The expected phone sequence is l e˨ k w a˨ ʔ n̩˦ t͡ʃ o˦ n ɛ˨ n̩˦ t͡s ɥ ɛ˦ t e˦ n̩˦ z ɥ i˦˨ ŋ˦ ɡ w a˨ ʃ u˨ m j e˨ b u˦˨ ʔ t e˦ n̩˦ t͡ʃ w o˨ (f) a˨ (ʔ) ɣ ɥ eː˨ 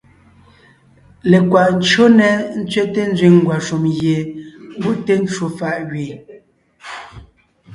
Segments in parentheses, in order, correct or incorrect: correct, correct

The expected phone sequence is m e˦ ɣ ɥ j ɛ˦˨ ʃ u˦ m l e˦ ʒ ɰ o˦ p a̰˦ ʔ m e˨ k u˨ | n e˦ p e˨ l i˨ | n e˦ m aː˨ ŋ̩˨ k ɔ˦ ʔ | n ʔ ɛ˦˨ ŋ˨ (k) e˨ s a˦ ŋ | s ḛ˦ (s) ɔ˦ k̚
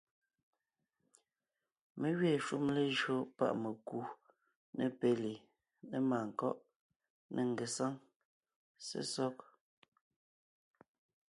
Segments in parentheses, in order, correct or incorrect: incorrect: ɡ, correct

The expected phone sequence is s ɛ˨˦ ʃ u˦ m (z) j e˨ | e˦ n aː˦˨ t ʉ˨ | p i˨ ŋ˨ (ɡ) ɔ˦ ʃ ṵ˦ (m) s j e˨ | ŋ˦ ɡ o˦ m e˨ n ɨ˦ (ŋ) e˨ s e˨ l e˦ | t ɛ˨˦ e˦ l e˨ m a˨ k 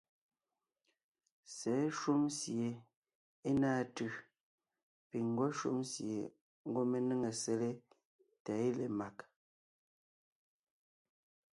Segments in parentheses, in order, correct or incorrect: incorrect: s, correct, correct, correct

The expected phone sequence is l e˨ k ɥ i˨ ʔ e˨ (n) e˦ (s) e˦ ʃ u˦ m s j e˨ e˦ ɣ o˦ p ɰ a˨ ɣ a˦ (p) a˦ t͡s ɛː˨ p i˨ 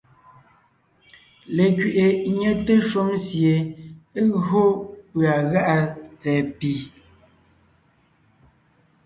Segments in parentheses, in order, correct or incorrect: incorrect: ɲ, incorrect: t, incorrect: ʔ

